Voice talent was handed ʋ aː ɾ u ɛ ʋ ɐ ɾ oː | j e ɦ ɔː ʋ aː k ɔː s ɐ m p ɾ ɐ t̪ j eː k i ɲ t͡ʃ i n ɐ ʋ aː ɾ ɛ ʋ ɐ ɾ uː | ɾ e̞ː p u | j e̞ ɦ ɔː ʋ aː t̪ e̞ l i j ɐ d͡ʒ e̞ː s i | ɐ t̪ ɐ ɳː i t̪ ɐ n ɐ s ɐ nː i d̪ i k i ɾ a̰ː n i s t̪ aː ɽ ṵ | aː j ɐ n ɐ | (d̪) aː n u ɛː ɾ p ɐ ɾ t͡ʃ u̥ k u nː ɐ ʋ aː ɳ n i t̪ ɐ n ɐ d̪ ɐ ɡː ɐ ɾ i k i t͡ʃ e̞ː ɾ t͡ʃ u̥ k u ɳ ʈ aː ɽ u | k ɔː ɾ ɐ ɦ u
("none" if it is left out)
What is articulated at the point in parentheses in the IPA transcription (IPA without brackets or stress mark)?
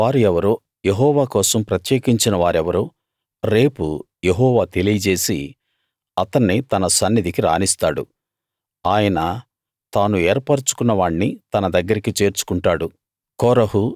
t̪